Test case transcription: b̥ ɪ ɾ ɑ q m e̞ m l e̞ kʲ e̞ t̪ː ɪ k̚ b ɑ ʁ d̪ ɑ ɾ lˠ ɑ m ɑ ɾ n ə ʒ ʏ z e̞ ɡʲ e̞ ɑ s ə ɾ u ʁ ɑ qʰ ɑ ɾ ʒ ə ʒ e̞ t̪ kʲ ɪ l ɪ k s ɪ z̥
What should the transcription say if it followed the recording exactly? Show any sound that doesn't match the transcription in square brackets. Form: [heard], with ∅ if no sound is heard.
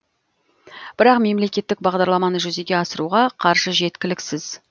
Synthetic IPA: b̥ ɪ ɾ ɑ q m e̞ m l e̞ kʲ e̞ t̪ː ɪ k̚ b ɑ ʁ d̪ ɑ ɾ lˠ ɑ m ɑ [∅] n ə ʒ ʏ z e̞ ɡʲ e̞ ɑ s ə ɾ u ʁ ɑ qʰ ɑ ɾ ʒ ə ʒ e̞ t̪ kʲ ɪ l ɪ k s ɪ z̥